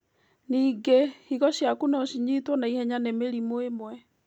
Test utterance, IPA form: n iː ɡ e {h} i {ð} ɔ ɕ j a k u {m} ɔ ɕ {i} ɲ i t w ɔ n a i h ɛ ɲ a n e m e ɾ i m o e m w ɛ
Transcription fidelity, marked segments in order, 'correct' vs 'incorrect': correct, incorrect, incorrect, correct

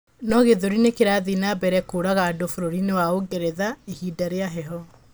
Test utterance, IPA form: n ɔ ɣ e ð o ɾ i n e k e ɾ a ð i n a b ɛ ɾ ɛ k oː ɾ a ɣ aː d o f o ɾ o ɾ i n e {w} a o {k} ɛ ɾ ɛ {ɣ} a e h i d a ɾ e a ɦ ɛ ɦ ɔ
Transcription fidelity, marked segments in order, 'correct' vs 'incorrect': correct, incorrect, incorrect

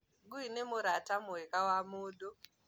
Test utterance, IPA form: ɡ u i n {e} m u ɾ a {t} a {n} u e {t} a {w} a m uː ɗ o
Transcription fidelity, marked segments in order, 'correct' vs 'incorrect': correct, correct, incorrect, incorrect, correct

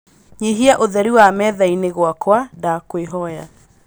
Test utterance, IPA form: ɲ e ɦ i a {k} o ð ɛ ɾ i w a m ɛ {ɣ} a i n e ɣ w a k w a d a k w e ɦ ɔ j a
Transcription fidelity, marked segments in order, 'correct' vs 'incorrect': incorrect, incorrect

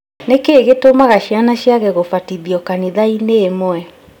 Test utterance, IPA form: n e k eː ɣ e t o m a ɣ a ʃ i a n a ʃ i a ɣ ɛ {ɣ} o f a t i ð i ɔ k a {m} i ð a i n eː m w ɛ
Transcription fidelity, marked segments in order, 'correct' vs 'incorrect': correct, incorrect

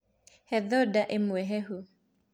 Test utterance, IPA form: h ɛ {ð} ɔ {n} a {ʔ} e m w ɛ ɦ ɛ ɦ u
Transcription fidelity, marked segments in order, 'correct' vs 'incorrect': correct, incorrect, correct

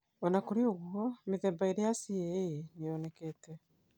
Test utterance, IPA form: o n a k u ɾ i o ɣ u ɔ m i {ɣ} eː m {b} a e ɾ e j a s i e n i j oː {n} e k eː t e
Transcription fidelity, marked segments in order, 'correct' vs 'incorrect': incorrect, correct, correct

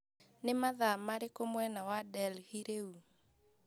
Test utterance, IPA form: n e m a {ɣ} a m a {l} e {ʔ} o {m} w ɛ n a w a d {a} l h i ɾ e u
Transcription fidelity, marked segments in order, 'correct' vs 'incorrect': incorrect, incorrect, incorrect, correct, incorrect

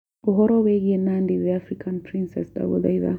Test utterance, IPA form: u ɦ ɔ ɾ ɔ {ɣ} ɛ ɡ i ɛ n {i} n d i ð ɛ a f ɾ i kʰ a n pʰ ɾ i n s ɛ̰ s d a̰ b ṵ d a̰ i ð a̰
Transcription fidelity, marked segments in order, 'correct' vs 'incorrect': incorrect, incorrect

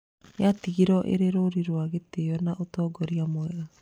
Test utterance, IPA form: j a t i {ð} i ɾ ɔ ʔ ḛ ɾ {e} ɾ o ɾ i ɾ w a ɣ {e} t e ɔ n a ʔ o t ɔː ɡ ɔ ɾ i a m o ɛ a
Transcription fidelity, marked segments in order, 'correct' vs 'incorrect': incorrect, correct, correct

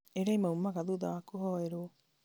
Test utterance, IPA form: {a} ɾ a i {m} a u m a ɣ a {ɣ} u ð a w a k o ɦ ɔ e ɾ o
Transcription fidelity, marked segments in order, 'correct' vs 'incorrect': incorrect, correct, incorrect

